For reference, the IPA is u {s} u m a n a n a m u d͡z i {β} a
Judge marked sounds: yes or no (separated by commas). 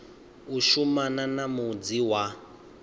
no, no